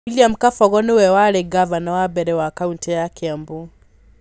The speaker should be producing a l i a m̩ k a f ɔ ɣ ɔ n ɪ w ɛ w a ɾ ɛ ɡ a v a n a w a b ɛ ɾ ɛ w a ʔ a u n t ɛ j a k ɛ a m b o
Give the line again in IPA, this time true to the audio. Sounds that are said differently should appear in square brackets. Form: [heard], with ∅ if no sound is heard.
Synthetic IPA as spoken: [i] l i a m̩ k a f ɔ ɣ ɔ n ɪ w ɛ w a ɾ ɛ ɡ a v a n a w a b ɛ ɾ ɛ w a [k] a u n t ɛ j a k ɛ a m b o